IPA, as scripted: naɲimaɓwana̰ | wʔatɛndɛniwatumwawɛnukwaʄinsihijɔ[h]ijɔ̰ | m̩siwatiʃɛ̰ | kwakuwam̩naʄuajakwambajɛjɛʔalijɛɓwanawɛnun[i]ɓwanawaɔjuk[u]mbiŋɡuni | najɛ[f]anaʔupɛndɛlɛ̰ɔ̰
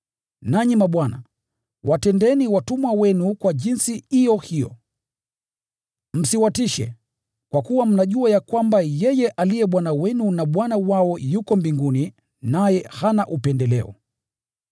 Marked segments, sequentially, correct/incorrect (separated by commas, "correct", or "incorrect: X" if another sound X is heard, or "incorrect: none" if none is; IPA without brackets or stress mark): correct, incorrect: a, incorrect: ɔ, incorrect: h